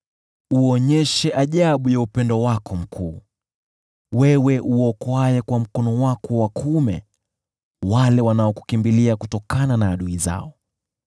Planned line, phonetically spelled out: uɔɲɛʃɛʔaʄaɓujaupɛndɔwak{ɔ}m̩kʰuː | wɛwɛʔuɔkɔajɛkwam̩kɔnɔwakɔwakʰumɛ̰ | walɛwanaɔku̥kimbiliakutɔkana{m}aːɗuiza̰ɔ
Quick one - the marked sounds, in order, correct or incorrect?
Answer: correct, incorrect

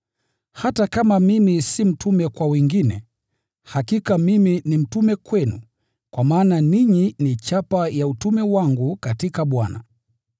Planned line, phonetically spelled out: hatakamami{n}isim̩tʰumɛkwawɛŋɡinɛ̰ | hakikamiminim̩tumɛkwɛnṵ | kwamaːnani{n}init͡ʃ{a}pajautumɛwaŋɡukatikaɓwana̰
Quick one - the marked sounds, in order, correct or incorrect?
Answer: incorrect, incorrect, correct

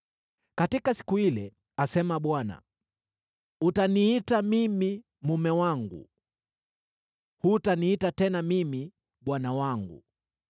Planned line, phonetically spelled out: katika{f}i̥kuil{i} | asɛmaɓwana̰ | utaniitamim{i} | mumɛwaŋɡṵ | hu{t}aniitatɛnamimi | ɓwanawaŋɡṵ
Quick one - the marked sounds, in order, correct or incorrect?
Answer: incorrect, incorrect, correct, correct

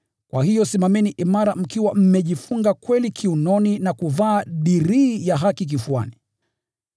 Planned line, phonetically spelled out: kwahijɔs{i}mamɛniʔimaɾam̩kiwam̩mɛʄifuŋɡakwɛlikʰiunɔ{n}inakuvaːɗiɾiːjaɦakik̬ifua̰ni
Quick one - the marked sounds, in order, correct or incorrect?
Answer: correct, correct

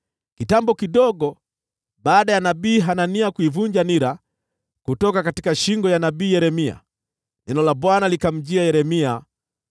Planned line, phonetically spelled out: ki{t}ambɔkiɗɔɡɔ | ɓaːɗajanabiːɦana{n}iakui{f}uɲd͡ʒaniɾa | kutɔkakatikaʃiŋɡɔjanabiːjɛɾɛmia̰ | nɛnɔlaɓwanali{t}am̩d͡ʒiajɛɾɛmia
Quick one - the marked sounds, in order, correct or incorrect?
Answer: correct, correct, incorrect, incorrect

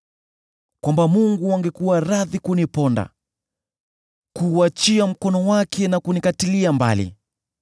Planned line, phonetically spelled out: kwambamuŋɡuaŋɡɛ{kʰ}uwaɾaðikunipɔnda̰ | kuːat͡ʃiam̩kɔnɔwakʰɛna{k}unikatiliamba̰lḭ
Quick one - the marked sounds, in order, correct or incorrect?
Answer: incorrect, correct

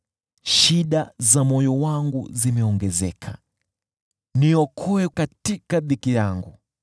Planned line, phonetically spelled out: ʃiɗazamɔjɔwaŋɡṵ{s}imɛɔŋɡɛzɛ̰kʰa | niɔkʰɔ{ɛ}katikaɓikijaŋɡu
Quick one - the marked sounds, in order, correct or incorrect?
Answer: incorrect, correct

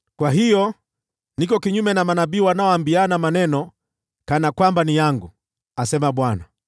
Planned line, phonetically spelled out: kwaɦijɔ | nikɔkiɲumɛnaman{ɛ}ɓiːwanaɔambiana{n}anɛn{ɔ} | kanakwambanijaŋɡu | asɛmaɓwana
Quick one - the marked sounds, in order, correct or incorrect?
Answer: incorrect, incorrect, correct

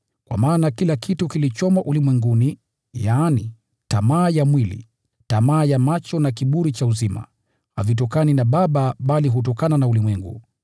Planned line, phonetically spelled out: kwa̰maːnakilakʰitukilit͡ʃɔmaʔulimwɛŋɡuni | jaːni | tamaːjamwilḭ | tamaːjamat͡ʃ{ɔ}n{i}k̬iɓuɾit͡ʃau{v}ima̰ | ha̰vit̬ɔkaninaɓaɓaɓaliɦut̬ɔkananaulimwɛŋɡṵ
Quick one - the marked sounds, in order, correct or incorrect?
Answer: correct, incorrect, incorrect

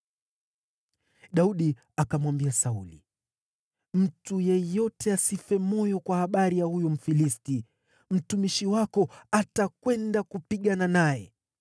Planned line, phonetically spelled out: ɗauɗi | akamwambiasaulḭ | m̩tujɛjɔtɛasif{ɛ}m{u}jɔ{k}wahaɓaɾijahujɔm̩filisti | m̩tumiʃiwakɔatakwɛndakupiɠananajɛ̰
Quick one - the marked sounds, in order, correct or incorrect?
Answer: correct, incorrect, correct

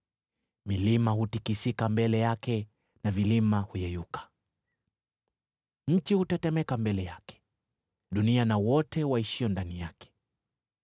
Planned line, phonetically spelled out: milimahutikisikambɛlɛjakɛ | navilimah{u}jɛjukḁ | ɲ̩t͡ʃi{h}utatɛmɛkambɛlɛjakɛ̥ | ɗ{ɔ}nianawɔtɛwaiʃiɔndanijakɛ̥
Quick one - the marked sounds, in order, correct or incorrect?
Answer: correct, correct, incorrect

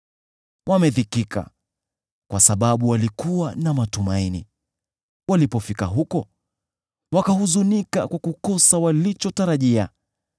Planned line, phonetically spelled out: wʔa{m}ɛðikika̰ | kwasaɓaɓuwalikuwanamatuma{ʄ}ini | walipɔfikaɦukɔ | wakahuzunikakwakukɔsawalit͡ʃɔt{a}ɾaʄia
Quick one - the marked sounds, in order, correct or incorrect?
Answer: correct, incorrect, correct

